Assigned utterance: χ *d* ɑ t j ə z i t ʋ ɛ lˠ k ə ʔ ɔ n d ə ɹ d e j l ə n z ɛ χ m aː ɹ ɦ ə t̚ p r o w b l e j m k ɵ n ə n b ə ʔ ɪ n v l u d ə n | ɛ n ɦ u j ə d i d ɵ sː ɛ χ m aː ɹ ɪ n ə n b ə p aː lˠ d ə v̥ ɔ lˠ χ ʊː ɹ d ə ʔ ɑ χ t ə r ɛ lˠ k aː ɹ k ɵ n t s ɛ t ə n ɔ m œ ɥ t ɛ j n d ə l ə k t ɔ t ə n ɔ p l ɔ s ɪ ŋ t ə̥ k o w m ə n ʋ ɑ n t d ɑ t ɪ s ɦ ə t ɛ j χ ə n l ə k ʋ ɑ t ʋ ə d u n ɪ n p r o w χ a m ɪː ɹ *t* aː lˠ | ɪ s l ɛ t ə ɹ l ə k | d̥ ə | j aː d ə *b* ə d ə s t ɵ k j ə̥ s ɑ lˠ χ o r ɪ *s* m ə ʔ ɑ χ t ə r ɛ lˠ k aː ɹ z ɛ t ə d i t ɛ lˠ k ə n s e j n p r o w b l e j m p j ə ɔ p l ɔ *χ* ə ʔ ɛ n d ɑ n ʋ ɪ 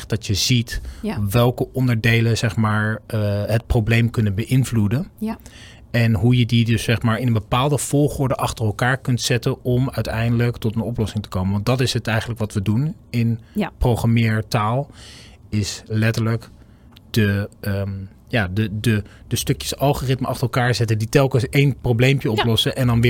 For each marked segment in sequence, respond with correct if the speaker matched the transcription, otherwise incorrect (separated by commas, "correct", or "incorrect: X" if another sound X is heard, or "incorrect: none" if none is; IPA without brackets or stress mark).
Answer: correct, correct, incorrect: d, incorrect: t, incorrect: s